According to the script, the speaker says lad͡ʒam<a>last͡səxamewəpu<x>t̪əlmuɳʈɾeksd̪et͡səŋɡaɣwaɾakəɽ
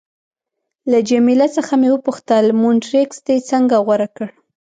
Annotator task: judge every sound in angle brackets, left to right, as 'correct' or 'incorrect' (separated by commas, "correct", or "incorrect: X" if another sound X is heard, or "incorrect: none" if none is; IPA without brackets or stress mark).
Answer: incorrect: i, correct